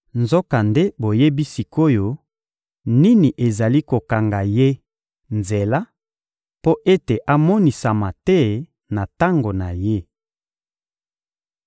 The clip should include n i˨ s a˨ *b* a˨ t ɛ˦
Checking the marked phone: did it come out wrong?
yes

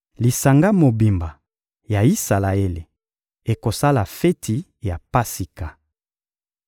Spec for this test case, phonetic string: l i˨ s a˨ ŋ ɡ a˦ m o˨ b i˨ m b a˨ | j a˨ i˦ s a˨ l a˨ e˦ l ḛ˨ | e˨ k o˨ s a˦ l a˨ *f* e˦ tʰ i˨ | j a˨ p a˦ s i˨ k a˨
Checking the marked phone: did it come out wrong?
no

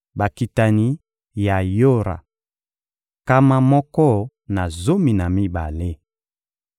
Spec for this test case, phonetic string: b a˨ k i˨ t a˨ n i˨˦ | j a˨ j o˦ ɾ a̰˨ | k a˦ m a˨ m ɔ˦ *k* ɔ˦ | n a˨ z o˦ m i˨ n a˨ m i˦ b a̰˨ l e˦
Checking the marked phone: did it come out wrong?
no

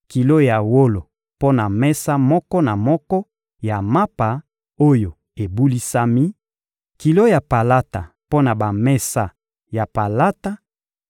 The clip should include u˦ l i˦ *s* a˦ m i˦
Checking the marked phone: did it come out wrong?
no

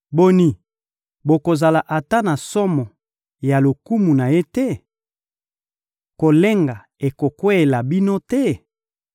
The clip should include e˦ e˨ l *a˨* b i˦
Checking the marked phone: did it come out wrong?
no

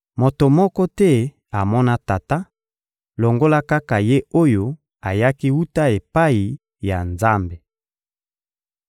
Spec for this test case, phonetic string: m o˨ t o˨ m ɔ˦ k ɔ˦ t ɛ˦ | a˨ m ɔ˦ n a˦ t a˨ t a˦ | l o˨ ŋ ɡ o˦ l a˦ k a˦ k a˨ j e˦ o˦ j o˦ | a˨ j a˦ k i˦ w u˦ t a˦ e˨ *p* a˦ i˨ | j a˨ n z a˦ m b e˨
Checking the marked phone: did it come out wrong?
no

